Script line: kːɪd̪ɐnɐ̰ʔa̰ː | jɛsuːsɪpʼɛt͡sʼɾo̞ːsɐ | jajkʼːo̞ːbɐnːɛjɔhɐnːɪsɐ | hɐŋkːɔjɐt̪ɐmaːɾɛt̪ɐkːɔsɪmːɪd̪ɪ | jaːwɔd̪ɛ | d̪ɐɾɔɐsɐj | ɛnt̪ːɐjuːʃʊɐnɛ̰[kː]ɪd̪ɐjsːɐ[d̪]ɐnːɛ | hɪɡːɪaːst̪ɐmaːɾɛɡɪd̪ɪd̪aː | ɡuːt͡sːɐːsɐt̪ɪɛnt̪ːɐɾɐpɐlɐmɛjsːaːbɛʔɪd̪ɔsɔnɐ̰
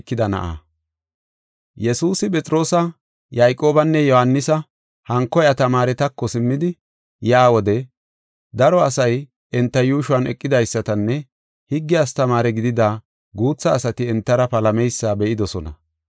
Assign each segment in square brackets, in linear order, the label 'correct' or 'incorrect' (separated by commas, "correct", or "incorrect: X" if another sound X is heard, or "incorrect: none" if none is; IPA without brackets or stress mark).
incorrect: kʼː, incorrect: t̪